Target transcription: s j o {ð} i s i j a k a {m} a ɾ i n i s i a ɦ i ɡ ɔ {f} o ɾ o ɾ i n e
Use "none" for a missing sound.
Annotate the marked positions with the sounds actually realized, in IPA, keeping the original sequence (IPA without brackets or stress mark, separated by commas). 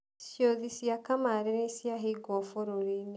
ð, m, f